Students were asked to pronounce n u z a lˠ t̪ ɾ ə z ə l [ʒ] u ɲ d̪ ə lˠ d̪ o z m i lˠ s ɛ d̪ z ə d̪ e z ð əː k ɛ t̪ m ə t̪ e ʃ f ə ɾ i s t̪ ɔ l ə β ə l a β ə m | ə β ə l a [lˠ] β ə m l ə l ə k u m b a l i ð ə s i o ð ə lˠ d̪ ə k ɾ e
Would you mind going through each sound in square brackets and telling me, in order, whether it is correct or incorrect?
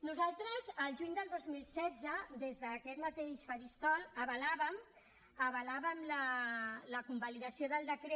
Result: correct, incorrect

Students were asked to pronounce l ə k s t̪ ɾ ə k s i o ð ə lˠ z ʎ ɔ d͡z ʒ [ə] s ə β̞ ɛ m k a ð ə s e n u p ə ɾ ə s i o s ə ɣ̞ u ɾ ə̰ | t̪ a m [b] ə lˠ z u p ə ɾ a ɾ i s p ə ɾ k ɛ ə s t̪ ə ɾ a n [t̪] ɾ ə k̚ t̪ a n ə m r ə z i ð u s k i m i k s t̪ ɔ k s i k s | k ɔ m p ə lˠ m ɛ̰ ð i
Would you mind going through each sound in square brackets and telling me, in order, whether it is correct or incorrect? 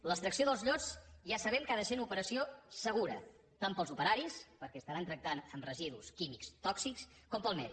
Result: incorrect, incorrect, correct

